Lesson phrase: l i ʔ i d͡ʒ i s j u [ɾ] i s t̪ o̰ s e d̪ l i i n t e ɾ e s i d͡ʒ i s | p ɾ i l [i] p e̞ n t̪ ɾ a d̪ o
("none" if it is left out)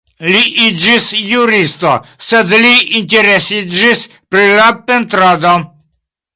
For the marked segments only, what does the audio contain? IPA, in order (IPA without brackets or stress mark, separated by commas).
ɾ, a